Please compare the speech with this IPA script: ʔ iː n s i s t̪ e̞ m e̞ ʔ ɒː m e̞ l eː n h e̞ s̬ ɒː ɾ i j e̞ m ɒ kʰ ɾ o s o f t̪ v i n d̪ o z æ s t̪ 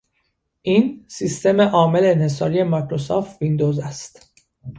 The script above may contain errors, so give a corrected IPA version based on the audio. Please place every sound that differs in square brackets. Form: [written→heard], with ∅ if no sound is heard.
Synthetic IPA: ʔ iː n s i s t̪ e̞ m e̞ ʔ ɒː m e̞ l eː n h e̞ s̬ ɒː ɾ i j e̞ m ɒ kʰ ɾ o s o f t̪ v i n d̪ o z æ s t̪